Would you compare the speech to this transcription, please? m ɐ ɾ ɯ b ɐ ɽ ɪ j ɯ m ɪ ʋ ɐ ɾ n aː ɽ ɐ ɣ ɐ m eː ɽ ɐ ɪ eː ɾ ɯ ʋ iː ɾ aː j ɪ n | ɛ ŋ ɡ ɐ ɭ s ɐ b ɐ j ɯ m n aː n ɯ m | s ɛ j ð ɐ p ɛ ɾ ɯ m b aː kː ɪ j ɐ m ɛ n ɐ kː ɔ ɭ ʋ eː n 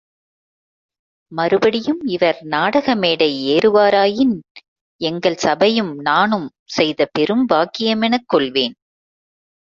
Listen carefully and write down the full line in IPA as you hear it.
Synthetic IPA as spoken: m ɐ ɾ ɯ b ɐ ɽ ɪ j ɯ m ɪ ʋ ɐ ɾ n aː ɽ ɐ ɣ ɐ m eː ɽ ɐ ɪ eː ɾ ɯ ʋ aː ɾ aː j ɪ n | ɛ ŋ ɡ ɐ ɭ s ɐ b ɐ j ɯ m n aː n ɯ m | s ɛ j ð ɐ p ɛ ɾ ɯ m b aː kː ɪ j ɐ m ɛ n ɐ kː ɔ ɭ ʋ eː n

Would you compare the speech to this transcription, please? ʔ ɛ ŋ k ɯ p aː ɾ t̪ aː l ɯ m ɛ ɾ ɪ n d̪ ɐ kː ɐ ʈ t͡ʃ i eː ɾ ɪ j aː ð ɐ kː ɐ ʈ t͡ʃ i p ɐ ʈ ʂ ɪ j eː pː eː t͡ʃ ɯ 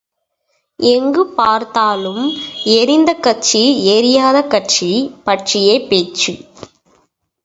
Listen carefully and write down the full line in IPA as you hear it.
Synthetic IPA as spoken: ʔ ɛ ŋ ɡ ɯ p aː ɾ t̪ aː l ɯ m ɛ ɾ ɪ n d̪ ɐ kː ɐ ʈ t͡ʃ i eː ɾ ɪ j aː ð ɐ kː ɐ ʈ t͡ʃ i p ɐ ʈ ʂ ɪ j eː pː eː t͡ʃ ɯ

